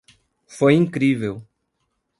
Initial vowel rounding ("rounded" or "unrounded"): rounded